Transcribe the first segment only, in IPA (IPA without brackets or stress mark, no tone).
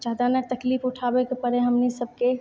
d͡ʒ